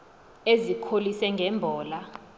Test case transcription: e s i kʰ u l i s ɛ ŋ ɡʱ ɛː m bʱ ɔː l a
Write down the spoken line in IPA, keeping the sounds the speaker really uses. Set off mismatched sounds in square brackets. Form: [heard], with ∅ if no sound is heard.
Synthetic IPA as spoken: e [z] i kʰ [o] l i s ɛ ŋ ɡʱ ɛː m bʱ ɔː l a